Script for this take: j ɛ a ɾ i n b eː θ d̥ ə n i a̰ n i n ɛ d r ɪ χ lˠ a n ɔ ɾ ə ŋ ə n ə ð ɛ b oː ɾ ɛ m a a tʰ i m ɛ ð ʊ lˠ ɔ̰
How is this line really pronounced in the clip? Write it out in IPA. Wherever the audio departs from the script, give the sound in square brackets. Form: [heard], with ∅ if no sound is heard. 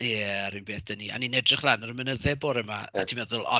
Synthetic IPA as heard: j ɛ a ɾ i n b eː θ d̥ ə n i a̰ n i n ɛ d r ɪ χ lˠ a n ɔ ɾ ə [m] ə n ə ð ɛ b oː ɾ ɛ m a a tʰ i m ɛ ð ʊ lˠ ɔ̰